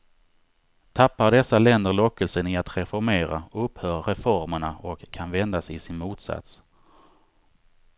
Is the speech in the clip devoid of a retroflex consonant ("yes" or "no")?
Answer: no